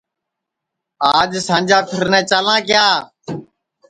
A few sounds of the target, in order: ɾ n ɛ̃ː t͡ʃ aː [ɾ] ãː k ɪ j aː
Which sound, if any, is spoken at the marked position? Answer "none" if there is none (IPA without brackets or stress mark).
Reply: l